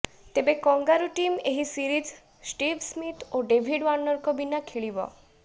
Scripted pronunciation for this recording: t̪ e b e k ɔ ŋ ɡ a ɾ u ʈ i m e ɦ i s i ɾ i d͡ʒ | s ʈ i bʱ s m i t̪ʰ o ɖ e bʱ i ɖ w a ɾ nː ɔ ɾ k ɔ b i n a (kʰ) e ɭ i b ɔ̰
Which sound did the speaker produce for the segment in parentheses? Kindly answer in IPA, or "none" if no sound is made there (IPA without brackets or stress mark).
kʰ